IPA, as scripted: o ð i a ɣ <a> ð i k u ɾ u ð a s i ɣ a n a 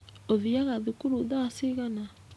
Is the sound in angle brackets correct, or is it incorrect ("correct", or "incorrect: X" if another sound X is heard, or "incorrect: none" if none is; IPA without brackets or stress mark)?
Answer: correct